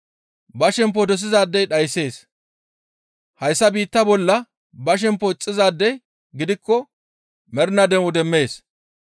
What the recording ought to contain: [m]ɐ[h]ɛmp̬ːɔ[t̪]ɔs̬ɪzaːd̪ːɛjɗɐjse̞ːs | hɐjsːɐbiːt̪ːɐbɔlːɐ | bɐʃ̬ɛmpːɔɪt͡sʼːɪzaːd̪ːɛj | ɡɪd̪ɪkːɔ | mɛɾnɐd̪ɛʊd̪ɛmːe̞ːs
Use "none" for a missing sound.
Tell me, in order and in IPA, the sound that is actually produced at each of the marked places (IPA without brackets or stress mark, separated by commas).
b, ʃ, d̪